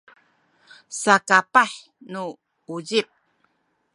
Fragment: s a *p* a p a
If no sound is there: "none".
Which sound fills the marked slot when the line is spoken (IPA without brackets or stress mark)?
k